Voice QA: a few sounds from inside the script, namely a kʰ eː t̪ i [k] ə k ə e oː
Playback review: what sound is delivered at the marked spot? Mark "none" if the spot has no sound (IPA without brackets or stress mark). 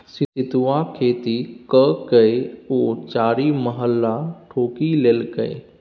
k